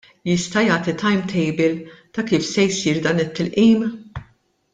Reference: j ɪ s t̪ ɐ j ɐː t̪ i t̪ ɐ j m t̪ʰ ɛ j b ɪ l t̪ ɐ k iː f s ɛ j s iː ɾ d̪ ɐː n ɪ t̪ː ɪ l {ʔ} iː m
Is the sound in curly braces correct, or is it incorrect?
correct